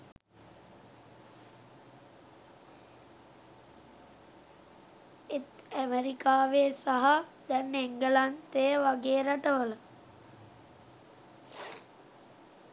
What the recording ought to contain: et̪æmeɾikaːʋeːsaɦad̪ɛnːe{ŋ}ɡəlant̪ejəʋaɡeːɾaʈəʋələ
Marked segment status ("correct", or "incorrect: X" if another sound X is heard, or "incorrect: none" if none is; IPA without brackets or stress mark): correct